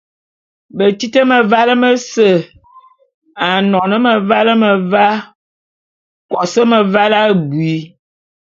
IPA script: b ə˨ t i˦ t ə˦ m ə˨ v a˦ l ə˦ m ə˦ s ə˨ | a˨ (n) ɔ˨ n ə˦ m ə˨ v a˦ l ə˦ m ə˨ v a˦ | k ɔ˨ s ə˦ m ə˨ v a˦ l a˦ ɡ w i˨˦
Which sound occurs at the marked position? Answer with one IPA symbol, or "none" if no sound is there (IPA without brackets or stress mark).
n